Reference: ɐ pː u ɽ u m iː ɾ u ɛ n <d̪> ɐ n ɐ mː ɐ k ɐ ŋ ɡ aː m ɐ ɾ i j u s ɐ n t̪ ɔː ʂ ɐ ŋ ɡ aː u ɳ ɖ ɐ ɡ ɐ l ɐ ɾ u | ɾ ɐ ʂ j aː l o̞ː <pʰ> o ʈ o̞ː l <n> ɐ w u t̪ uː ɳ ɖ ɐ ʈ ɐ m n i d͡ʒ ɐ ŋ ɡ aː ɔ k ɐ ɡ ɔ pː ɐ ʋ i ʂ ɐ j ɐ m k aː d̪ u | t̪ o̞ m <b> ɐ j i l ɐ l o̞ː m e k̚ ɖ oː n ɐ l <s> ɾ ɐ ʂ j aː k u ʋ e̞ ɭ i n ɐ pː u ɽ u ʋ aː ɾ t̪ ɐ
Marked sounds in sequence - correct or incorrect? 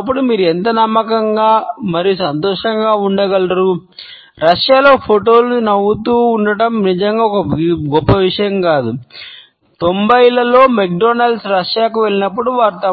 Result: incorrect: t̪, correct, correct, correct, correct

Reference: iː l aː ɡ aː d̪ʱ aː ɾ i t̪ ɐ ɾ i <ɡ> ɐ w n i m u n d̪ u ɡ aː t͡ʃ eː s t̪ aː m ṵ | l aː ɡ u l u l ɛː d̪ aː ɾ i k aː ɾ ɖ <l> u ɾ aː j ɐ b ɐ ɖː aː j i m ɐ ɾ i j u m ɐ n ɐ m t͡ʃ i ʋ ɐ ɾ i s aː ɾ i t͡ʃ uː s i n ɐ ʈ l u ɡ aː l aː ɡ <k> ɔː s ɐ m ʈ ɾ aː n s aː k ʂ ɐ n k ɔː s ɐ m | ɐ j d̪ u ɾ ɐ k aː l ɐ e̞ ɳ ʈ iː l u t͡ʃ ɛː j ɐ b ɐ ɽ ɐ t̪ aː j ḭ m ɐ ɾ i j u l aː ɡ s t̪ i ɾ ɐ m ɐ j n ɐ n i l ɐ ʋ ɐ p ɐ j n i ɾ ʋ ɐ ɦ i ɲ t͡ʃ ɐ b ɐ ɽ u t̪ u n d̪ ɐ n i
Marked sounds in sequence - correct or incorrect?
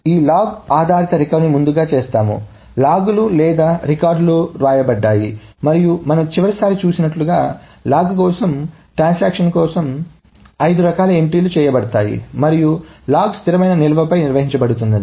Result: incorrect: k, correct, correct

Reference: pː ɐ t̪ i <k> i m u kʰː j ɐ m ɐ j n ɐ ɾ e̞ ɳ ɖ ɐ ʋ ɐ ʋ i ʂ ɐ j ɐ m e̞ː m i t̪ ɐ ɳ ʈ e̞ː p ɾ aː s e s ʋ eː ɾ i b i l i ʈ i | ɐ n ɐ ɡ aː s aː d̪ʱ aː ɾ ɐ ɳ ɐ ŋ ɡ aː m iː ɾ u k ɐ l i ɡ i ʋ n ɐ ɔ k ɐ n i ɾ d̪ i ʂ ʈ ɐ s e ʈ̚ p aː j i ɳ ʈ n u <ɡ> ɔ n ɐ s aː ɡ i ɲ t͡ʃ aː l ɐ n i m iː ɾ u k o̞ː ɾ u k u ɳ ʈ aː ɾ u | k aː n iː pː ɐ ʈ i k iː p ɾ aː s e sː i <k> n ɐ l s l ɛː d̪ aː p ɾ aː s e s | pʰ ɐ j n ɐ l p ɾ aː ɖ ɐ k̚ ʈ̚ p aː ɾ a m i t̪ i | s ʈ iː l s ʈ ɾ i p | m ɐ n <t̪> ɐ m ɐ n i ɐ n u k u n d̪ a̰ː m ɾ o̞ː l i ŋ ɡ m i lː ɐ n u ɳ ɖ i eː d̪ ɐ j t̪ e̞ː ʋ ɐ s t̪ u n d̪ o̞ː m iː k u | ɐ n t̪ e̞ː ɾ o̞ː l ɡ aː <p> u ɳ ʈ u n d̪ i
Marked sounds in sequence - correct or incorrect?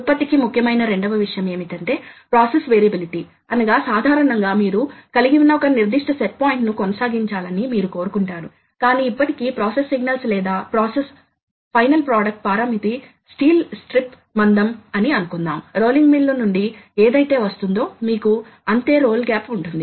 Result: correct, incorrect: k, incorrect: ɡ, incorrect: d̪, correct

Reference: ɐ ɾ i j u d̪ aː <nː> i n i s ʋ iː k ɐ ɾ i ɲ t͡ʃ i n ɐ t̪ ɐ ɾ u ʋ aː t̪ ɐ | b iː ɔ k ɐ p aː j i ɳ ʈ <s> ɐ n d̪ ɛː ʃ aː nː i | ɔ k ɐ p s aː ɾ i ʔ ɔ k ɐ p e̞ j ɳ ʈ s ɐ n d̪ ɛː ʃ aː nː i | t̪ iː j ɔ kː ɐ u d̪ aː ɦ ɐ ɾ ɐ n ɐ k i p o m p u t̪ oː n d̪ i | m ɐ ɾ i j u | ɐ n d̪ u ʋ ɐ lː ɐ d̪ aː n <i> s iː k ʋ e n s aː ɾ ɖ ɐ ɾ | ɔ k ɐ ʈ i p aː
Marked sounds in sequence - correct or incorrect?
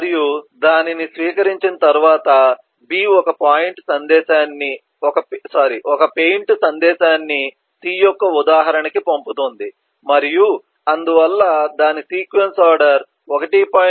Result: incorrect: n, correct, correct

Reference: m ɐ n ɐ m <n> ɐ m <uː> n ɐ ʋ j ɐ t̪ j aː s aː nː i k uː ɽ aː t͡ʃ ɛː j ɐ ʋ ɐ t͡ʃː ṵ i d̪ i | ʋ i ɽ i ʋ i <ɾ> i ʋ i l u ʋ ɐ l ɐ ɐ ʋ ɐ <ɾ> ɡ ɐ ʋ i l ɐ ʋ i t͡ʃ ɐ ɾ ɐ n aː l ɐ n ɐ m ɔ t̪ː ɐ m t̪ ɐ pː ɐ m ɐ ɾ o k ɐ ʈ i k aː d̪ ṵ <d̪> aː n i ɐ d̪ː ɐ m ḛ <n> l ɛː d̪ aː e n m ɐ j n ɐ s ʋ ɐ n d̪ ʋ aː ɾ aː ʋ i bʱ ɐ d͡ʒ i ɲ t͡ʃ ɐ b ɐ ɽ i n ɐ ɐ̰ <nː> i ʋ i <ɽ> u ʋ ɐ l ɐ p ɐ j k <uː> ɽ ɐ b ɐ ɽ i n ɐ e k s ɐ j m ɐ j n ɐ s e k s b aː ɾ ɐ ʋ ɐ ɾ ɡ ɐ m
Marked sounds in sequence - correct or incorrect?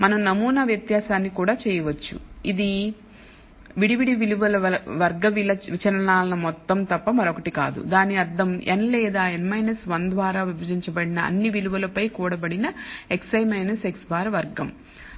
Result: correct, correct, incorrect: ɽ, correct, correct, correct, correct, incorrect: l, correct

